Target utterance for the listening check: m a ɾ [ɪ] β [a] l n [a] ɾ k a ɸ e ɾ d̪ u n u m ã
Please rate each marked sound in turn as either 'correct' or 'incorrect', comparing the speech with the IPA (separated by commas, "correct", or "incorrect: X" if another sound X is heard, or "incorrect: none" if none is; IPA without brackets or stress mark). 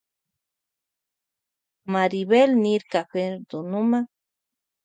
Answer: incorrect: i, incorrect: e, incorrect: i